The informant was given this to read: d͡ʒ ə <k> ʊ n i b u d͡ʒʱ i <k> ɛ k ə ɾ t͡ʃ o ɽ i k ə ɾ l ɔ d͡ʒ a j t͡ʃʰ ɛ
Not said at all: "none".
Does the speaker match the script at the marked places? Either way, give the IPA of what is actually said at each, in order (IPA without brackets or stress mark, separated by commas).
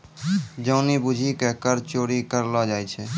none, k